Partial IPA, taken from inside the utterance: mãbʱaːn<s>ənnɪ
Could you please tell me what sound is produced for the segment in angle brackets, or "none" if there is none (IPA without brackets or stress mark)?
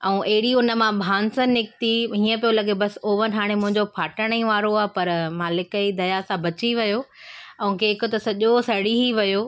s